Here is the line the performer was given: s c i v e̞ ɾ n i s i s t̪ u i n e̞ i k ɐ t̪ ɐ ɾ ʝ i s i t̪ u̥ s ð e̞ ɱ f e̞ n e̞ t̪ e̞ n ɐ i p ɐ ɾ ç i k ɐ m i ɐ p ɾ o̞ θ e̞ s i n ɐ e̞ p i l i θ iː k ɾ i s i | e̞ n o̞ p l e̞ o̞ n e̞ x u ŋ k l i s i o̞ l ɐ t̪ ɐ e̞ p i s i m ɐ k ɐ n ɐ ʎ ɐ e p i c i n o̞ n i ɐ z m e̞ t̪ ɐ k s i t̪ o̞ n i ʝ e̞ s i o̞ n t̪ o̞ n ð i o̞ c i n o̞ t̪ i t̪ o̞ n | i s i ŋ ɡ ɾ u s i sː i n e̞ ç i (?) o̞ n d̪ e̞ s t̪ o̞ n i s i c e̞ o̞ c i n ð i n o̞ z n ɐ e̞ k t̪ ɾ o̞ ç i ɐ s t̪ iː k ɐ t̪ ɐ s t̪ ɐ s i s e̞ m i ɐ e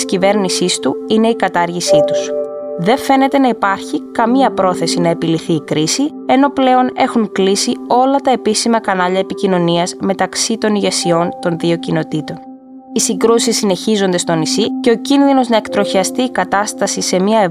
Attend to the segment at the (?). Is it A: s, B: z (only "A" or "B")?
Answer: B